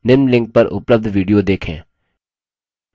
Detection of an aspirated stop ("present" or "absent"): present